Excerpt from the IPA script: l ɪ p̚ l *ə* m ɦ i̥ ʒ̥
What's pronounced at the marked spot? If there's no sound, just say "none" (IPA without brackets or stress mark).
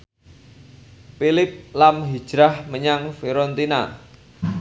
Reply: a